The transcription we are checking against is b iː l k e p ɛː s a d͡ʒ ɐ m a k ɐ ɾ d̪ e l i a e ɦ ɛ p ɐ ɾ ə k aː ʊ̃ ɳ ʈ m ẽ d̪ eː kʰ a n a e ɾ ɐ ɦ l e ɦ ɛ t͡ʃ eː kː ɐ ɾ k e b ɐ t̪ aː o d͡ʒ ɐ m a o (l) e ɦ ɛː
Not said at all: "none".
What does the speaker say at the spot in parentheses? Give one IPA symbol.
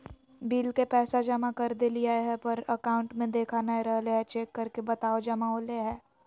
l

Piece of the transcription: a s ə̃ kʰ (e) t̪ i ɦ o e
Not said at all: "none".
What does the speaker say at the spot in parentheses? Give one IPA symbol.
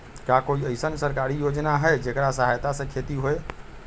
e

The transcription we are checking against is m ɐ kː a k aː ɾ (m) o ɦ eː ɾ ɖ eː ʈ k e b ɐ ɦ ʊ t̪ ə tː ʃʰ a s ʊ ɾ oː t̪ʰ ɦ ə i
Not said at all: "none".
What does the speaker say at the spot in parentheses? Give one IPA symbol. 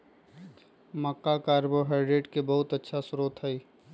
b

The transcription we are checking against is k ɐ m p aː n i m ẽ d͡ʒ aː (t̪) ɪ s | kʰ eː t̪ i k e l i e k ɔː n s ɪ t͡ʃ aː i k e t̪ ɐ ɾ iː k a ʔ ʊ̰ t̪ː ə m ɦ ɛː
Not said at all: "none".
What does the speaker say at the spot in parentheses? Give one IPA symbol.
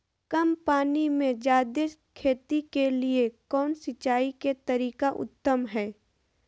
d̪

